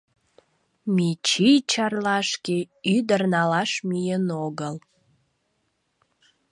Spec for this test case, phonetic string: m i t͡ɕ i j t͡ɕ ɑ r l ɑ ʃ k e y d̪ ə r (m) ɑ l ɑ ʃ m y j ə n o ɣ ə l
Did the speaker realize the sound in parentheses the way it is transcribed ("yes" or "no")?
no